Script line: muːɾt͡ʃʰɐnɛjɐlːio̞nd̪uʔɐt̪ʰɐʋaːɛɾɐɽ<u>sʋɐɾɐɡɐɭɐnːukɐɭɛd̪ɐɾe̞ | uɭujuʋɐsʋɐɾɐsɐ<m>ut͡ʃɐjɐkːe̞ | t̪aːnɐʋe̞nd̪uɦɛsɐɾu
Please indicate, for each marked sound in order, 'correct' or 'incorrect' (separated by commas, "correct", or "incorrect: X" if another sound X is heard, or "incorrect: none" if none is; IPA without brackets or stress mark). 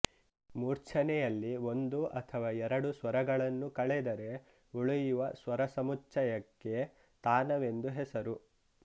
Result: correct, correct